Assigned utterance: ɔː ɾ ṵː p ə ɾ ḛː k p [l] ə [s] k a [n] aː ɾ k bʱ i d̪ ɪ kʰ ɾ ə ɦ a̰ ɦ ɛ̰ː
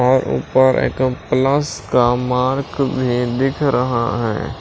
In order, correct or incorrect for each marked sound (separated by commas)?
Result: correct, correct, incorrect